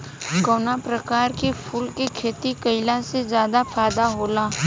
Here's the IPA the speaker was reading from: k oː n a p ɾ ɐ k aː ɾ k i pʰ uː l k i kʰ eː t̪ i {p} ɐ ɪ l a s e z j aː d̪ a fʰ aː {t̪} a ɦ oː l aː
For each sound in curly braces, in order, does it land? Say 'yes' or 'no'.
no, no

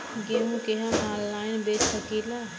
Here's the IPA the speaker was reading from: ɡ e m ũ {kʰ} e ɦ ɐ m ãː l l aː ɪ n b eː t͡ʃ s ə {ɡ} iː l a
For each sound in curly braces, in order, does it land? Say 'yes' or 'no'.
no, no

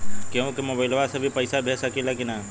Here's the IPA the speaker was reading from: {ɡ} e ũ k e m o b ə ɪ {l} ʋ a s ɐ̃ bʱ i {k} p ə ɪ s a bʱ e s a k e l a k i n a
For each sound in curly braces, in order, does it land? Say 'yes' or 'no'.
no, yes, no

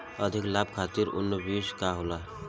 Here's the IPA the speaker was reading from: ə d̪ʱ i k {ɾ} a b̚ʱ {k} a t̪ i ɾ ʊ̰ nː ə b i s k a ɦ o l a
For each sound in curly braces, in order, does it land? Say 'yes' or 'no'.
no, no

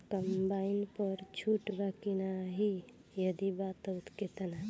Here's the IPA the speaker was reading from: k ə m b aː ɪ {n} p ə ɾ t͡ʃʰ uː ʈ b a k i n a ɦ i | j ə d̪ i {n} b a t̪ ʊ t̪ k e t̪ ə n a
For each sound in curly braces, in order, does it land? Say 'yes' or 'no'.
yes, no

